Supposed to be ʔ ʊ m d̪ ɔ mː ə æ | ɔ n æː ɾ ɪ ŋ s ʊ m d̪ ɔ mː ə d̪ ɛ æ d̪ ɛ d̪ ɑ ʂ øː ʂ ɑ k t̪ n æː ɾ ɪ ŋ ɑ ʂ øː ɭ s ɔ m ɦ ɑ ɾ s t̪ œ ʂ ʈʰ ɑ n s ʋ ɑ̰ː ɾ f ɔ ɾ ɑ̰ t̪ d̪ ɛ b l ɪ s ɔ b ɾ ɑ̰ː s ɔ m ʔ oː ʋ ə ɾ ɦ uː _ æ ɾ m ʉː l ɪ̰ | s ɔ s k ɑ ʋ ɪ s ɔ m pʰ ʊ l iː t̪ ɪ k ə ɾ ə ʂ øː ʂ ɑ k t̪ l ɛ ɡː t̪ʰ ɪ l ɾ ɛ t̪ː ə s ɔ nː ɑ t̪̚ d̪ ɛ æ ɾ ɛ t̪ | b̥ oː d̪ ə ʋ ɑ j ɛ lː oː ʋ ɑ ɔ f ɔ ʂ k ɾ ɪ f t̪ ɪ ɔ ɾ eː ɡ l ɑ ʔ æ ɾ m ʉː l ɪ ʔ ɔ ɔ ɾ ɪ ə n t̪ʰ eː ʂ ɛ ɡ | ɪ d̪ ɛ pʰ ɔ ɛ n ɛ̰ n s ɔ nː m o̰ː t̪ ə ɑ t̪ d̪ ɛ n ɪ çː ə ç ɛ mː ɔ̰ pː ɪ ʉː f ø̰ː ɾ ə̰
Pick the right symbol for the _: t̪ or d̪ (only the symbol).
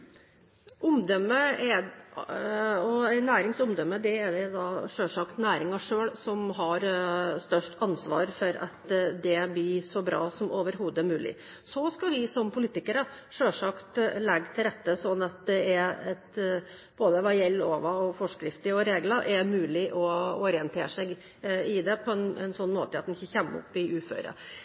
d̪